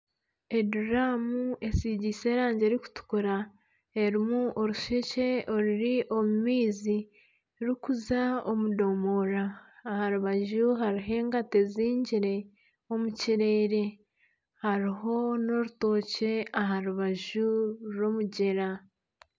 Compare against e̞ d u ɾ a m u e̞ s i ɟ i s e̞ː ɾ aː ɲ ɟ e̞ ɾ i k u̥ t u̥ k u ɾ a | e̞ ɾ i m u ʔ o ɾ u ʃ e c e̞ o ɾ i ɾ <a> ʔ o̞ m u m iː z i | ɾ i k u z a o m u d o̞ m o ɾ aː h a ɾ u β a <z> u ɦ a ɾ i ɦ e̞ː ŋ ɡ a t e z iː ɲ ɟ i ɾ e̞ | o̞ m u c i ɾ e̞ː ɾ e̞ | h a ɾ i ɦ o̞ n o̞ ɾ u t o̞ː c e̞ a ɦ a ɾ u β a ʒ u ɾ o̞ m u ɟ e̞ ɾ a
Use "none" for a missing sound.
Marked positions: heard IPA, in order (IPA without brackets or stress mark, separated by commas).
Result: i, ʒ